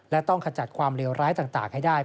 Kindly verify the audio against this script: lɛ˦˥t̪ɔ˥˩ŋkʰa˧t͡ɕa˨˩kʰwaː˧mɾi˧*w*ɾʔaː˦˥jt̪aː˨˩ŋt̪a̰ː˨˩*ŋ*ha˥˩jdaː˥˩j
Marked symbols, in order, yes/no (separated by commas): yes, yes